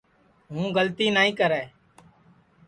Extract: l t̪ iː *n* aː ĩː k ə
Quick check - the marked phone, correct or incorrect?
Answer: correct